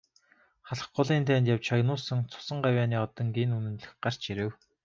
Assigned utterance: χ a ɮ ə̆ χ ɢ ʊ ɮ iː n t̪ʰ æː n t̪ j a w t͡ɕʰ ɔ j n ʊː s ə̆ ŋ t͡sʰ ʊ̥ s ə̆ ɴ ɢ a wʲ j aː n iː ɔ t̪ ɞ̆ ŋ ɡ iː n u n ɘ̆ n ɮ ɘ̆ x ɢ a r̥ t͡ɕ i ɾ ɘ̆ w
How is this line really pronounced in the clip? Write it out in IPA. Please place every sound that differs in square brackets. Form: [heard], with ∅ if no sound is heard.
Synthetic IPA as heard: χ a ɮ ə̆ χ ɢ ʊ ɮ iː n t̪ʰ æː n t̪ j a w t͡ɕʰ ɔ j n ʊː s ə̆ ŋ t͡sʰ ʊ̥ s ə̆ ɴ ɢ a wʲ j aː n iː ɔ t̪ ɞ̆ ŋ ɡ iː n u n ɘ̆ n ɮ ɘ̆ x ɢ a r̥ t͡ɕ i ɾ ɘ̆ w